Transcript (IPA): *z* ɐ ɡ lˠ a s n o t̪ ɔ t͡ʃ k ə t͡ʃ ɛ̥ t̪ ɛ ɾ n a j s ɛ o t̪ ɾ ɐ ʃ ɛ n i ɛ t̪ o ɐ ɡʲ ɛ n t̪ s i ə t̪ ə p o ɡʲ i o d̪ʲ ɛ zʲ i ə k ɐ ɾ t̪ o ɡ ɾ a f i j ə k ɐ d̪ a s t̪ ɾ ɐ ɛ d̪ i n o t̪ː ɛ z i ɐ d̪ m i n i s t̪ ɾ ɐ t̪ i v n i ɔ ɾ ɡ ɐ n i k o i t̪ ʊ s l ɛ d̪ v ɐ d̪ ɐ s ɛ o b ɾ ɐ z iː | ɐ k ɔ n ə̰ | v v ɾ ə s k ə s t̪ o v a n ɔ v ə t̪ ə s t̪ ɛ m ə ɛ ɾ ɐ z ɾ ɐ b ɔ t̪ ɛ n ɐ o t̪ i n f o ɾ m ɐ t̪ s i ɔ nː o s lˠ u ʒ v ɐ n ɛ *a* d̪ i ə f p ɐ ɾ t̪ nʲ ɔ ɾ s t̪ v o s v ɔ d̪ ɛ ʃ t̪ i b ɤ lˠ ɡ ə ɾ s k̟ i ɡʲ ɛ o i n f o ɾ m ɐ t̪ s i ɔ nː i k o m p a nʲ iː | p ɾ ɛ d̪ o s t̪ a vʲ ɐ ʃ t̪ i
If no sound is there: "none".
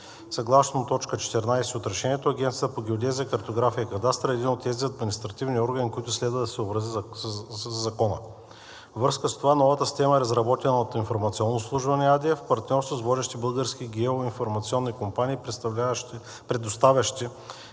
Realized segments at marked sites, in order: s, a

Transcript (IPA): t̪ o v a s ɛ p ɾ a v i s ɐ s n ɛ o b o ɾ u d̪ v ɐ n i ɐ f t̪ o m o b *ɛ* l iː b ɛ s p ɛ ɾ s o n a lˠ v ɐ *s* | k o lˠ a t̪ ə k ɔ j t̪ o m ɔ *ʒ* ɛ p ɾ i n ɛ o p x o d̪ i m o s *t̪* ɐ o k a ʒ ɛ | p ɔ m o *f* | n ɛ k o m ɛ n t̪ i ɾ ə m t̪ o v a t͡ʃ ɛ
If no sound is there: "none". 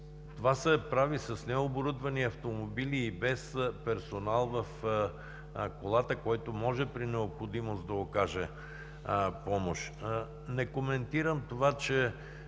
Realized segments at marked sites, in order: i, f, ʒ, d̪, ʃ

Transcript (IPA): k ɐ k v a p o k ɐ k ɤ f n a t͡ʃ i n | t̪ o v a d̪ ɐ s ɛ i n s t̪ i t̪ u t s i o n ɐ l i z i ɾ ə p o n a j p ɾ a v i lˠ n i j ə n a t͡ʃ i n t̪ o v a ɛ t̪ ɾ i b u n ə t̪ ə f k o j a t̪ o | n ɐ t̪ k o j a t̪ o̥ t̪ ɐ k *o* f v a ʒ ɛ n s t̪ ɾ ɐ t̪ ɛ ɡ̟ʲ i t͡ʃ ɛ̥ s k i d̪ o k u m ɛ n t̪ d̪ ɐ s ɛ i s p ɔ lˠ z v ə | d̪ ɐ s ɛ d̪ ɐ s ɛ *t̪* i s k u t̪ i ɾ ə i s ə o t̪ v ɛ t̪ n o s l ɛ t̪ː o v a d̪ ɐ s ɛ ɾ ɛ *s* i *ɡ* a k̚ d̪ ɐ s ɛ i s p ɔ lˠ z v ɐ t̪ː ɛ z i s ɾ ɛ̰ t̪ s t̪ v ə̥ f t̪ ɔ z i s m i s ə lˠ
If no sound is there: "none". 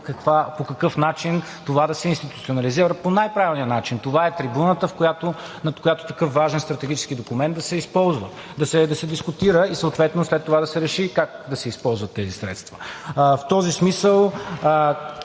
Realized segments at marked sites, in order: ɤ, d̪, ʃ, k

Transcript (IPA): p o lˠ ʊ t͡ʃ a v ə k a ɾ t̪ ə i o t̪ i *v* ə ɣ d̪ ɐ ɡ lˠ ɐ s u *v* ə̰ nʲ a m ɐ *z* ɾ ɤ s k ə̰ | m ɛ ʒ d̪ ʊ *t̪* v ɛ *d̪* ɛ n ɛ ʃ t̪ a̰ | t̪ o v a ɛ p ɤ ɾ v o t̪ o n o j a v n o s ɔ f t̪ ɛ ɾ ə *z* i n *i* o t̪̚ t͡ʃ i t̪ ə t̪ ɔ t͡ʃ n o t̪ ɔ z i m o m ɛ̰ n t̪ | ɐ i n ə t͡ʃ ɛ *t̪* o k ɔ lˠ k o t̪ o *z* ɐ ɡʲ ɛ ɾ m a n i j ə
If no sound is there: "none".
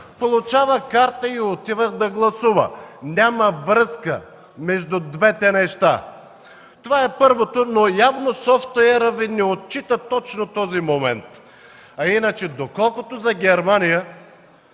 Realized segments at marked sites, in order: v, v, v, d̪, t̪, v, ɛ, d̪, z

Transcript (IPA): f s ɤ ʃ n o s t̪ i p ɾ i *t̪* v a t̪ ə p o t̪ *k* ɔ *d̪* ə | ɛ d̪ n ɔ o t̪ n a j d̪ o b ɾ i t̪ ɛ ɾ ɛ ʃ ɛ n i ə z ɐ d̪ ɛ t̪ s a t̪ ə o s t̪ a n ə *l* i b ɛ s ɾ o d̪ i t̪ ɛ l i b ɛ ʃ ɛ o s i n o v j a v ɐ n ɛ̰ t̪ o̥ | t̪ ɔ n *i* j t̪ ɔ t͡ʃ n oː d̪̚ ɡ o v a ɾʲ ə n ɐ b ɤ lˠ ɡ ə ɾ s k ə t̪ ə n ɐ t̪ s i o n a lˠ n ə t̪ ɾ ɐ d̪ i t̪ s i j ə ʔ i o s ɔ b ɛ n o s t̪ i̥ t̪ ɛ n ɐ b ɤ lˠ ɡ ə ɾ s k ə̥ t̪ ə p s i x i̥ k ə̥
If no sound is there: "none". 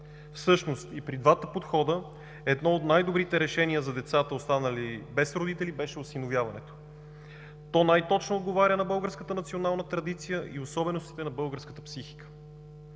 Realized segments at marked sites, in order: d̪, x, d̪, l, a

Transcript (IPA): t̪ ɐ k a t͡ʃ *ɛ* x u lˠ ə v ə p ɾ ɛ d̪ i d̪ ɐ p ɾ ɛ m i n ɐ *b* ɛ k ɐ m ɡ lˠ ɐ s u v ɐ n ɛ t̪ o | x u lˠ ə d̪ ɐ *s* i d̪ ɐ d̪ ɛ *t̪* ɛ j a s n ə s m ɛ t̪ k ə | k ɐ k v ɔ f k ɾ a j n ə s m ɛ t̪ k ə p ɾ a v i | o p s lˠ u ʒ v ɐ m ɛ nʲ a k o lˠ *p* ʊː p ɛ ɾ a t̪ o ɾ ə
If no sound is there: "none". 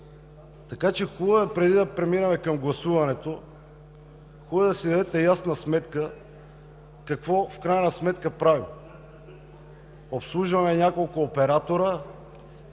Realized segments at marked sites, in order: ɛ, m, s, t̪, k

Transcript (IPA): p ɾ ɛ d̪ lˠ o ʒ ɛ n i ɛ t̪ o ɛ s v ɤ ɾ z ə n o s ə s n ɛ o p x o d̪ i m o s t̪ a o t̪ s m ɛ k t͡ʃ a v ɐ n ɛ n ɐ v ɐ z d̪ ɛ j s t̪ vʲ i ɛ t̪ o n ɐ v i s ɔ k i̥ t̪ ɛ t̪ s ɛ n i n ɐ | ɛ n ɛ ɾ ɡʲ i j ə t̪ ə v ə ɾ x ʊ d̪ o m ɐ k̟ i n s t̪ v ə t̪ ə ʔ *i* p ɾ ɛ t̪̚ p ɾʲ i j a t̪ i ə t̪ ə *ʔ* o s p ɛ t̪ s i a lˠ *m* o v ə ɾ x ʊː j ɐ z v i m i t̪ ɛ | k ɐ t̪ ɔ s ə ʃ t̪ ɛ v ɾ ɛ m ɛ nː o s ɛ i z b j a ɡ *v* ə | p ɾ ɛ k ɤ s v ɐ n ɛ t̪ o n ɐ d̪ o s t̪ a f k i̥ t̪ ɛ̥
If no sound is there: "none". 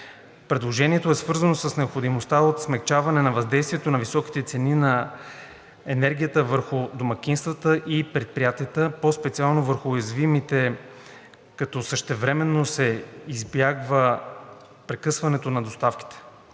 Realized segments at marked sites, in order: i, p, n, v

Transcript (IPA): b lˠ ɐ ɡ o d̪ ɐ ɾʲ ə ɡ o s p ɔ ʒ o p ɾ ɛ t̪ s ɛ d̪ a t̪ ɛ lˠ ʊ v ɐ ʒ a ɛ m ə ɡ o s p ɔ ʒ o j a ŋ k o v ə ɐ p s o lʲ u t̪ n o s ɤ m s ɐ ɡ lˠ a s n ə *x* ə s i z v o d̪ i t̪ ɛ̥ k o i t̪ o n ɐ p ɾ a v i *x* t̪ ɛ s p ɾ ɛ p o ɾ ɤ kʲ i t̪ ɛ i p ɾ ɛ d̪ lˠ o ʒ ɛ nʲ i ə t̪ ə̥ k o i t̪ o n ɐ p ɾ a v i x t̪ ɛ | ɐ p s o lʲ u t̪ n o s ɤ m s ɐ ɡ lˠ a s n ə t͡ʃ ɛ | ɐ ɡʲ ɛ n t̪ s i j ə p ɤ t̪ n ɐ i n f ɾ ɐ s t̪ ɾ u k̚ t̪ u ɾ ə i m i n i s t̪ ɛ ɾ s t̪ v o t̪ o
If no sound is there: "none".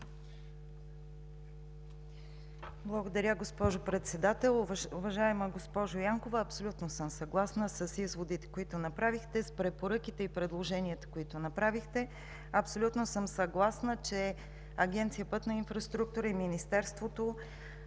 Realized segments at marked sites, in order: s, x

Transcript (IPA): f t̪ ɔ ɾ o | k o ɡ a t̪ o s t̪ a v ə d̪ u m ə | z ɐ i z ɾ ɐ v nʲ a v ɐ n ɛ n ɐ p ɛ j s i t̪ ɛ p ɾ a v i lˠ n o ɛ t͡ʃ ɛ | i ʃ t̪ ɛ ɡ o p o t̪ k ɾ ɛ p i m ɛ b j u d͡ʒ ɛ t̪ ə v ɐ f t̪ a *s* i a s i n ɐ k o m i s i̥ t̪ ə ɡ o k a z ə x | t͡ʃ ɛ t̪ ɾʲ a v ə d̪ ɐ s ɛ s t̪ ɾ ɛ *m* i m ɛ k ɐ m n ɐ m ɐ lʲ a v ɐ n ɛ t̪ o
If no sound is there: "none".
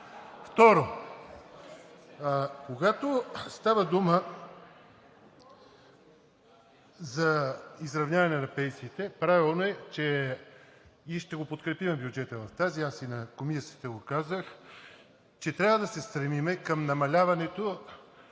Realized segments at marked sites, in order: z, m

